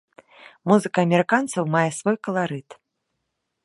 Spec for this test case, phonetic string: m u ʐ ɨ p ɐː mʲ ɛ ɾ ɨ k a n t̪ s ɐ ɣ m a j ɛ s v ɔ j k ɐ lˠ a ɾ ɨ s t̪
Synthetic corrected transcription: m u z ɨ k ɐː mʲ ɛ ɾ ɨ k a n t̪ s ɐ w m a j ɛ s v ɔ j k ɐ lˠ a ɾ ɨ t̪